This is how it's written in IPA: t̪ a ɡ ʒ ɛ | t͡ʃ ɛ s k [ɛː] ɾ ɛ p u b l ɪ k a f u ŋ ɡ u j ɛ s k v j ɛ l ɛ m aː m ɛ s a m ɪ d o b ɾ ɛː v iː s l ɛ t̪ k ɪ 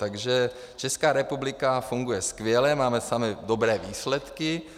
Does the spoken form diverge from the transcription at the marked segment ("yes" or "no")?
yes